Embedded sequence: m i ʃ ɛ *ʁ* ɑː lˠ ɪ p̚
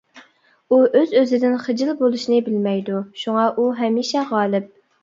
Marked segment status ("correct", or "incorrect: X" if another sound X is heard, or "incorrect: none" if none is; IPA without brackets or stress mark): correct